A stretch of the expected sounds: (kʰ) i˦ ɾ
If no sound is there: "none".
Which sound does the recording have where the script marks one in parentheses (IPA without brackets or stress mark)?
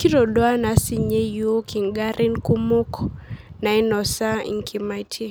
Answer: k